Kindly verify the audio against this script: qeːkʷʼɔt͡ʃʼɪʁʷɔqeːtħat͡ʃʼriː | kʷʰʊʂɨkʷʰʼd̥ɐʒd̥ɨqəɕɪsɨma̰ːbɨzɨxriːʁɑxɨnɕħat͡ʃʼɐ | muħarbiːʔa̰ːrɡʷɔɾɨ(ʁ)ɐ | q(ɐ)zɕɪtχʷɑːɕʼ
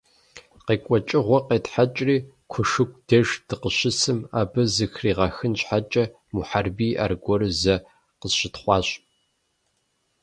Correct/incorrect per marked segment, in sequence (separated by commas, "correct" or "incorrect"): incorrect, incorrect